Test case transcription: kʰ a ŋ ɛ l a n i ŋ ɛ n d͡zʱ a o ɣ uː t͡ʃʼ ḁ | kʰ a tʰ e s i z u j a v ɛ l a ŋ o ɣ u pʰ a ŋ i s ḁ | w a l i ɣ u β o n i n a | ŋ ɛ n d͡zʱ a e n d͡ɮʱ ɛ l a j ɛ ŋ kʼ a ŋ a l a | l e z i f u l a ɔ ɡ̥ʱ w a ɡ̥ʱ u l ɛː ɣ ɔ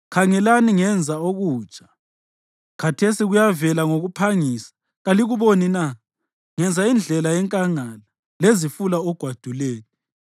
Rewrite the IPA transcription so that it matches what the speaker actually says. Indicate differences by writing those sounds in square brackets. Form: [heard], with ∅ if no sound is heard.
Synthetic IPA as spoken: kʰ a ŋ ɛ l a n i ŋ ɛ n d͡zʱ a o ɣ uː t͡ʃʼ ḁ | kʰ a tʰ e s i [ɣ] u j a v ɛ l a ŋ o ɣ u pʰ a ŋ i s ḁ | [ɣ] a l i ɣ u β o n i n a | ŋ ɛ n d͡zʱ a [i] n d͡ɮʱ ɛ l a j ɛ ŋ kʼ a ŋ a l a | l e z i f u l a ɔ ɡ̥ʱ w a [d̥ʱ] u l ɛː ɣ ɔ